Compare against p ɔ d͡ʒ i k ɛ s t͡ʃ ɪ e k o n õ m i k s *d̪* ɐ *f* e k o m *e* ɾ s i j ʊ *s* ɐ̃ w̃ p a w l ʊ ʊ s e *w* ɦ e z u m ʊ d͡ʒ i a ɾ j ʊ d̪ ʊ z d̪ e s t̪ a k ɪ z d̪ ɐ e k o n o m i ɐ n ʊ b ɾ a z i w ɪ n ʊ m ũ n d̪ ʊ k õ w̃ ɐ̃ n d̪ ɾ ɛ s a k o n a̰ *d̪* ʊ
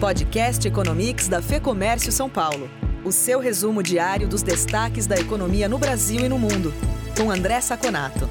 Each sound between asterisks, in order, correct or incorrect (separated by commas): correct, correct, incorrect, correct, correct, incorrect